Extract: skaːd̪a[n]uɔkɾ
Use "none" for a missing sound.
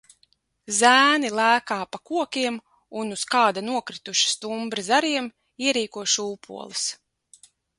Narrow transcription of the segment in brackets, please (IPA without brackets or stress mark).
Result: n